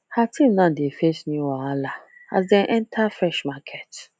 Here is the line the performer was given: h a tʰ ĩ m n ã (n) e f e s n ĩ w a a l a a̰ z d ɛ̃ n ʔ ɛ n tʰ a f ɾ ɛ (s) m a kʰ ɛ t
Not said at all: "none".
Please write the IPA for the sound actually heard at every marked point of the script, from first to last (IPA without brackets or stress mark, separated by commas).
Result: d, ʃ